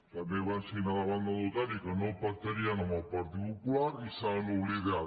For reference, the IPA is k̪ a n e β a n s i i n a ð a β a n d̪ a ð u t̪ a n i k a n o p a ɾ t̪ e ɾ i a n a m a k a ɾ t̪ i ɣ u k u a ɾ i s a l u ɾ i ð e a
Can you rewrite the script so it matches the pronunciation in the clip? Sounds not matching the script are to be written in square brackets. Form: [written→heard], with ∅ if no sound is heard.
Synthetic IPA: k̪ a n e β a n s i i n a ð a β a n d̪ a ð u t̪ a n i k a n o p a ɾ t̪ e ɾ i a n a m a [k→p] a ɾ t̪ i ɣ u k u a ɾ i s a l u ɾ i ð e a